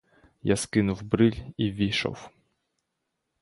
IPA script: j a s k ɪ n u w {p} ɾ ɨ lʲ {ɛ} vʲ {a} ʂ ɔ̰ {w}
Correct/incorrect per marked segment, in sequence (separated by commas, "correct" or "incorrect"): incorrect, incorrect, incorrect, correct